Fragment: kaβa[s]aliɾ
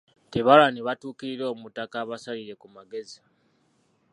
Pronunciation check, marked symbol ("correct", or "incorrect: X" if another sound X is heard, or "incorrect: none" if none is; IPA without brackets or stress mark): correct